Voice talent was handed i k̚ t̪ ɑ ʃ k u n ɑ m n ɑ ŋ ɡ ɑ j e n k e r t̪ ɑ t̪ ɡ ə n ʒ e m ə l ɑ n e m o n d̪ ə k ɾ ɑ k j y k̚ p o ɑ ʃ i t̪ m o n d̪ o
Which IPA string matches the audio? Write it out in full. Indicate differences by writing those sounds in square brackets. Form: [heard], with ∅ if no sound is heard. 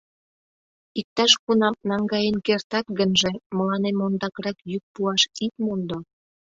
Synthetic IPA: i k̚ t̪ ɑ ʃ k u n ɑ m n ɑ ŋ ɡ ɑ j e n k e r t̪ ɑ t̪ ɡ ə n ʒ e m ə l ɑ n e m o n d̪ [ɑ] k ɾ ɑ k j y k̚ p [u] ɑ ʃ i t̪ m o n d̪ o